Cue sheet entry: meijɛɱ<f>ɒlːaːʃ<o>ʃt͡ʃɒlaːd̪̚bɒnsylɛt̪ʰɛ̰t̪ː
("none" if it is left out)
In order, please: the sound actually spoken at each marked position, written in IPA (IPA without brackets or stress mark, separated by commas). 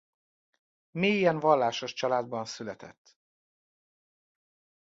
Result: v, o